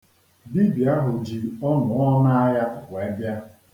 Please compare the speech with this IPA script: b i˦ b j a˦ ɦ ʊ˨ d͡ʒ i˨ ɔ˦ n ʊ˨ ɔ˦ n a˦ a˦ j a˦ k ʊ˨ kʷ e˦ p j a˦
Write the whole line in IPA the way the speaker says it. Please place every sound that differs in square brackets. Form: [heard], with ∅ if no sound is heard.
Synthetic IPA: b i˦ b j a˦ ɦ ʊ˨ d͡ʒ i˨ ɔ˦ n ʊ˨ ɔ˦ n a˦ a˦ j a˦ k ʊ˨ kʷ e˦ [b] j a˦